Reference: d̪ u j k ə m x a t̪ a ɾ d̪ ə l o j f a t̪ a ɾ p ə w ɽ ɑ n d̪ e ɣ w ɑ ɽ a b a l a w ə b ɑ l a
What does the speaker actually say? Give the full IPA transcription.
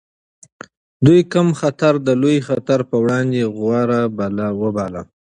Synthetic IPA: d̪ u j k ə m x a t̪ a ɾ d̪ ə l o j x a t̪ a ɾ p ə w ɽ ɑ n d̪ e ɣ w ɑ ɾ a b a l a w ə b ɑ l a